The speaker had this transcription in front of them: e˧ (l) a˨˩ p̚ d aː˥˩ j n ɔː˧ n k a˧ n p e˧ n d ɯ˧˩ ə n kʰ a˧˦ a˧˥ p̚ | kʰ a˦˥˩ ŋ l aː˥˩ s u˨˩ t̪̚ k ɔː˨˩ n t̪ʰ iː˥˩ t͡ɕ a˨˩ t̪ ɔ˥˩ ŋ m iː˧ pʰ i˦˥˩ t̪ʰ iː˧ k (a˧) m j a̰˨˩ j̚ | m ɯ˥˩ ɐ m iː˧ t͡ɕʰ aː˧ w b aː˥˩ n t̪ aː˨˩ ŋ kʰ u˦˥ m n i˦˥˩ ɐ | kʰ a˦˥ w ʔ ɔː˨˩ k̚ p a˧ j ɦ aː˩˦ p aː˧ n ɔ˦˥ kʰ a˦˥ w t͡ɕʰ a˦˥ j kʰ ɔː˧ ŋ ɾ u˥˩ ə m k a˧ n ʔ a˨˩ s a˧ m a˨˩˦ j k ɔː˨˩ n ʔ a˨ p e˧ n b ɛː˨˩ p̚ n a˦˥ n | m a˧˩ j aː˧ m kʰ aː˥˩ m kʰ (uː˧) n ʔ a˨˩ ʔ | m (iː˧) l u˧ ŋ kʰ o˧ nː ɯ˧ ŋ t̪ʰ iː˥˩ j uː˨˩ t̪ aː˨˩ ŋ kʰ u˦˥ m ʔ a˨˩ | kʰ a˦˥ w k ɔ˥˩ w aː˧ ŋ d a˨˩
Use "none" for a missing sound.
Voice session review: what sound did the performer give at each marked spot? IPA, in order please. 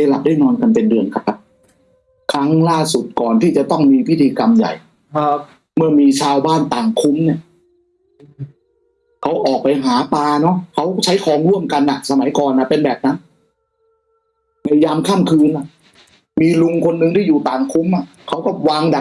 l, a˧, ɯː˧, iː˧

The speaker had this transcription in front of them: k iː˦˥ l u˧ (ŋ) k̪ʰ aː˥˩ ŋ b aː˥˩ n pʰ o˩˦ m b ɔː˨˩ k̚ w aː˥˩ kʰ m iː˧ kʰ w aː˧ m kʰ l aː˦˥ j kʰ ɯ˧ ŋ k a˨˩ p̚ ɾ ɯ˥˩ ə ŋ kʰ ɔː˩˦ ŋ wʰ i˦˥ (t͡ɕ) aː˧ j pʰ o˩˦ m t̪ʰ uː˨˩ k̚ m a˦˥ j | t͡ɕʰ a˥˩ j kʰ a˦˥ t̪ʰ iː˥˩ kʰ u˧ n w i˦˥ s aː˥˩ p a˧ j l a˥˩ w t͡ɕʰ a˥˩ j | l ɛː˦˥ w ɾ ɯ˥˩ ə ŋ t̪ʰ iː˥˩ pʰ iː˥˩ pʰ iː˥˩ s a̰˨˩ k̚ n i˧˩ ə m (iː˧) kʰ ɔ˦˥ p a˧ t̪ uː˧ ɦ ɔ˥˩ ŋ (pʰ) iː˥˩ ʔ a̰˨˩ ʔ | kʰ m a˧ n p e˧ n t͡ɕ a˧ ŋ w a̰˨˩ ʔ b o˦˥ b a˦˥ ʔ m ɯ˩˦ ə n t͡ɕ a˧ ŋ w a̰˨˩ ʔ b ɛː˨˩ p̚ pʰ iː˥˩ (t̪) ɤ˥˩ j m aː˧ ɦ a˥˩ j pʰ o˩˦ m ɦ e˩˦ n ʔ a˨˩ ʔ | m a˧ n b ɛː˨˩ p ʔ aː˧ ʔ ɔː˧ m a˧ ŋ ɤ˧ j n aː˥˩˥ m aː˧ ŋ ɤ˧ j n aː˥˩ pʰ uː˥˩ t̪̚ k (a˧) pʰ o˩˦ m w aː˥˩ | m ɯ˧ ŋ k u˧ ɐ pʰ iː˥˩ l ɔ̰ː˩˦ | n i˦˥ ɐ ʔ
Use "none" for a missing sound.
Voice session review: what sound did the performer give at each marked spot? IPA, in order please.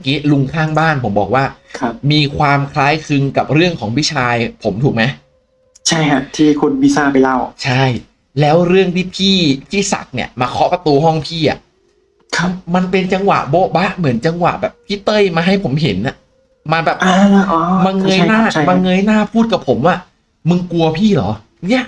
ŋ, t͡ɕʰ, aː˧, pʰ, t̪, a˨˩

